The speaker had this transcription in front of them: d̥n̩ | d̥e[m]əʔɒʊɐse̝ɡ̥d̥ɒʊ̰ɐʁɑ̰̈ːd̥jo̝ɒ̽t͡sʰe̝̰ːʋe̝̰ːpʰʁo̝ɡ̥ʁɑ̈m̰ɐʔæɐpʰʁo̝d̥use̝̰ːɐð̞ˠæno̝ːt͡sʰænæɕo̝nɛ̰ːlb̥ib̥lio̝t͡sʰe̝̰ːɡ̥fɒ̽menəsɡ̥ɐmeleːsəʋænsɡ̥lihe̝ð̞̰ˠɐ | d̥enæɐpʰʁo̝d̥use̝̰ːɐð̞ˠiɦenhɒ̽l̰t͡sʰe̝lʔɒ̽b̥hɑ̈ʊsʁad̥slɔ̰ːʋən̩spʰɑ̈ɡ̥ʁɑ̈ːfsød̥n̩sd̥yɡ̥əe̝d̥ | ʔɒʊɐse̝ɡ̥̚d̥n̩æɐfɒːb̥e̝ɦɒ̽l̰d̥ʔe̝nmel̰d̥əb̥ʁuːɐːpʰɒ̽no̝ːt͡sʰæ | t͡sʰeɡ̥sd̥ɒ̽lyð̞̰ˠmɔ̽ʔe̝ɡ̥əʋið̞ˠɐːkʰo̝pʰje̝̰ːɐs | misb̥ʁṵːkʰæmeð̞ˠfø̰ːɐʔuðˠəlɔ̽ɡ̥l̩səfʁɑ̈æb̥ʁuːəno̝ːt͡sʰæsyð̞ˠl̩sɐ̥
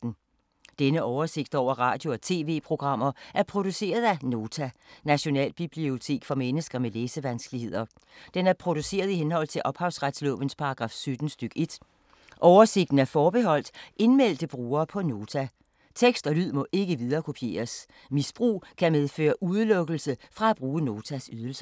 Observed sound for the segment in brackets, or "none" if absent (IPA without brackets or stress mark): n